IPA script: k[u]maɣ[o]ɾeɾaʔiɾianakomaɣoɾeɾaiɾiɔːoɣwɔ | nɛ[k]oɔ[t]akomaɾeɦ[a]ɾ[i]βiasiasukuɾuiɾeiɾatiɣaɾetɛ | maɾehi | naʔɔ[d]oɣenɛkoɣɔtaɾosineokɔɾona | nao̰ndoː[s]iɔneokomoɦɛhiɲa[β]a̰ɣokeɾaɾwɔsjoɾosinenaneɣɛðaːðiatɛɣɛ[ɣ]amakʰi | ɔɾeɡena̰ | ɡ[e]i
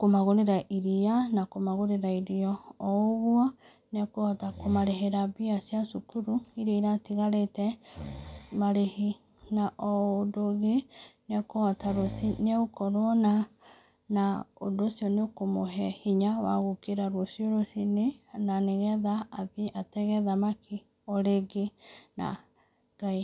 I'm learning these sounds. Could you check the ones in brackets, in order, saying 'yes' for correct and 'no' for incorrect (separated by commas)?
no, yes, yes, yes, no, no, yes, yes, no, no, no